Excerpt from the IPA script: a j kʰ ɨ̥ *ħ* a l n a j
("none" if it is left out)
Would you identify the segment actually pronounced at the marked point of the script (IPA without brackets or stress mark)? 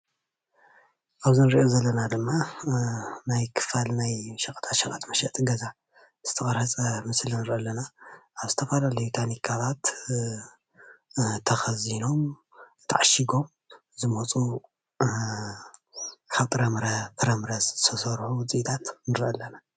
f